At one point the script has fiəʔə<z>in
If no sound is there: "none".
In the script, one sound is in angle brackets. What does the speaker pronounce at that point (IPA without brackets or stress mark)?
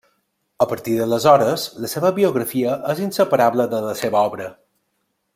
z